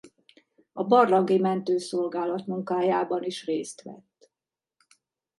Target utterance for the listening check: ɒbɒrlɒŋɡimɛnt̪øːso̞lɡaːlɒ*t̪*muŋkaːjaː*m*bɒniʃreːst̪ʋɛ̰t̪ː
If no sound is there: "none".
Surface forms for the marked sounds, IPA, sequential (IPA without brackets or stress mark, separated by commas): t̪, none